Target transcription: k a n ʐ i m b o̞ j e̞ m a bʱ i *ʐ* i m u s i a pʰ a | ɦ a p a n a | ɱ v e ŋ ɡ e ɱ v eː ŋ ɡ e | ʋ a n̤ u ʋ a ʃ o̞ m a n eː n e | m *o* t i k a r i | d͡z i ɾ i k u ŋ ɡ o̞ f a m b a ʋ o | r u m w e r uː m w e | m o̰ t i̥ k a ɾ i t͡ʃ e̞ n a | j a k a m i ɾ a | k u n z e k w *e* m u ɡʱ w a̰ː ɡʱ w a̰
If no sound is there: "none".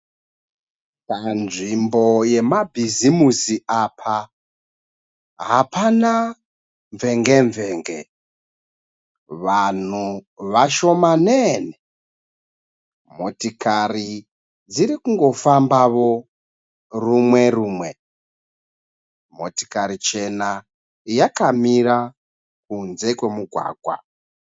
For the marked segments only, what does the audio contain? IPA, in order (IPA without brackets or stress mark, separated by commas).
z, o, e